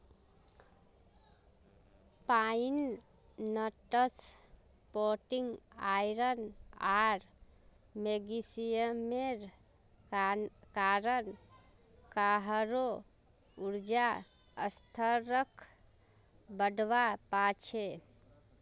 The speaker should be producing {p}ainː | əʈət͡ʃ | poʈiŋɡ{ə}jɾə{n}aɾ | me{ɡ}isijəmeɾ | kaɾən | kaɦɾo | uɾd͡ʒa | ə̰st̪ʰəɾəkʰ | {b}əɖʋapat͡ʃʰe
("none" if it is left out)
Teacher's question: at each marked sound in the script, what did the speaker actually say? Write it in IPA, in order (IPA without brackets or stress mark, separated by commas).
p, a, n, ɡ, b